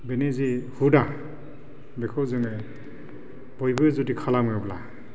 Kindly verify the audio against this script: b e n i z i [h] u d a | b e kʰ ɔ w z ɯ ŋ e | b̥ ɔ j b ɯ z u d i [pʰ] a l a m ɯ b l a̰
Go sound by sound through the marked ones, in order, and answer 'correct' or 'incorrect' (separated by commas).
correct, incorrect